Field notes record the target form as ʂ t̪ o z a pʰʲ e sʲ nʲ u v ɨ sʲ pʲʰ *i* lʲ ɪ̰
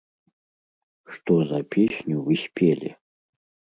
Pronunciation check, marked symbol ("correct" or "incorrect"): incorrect